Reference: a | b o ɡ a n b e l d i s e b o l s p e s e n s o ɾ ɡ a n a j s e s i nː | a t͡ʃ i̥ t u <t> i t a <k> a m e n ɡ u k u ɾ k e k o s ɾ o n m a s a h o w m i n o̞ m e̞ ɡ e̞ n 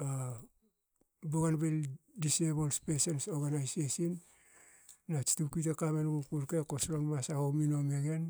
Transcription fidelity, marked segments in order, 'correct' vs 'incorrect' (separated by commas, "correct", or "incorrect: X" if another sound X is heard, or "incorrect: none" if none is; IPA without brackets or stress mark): incorrect: k, correct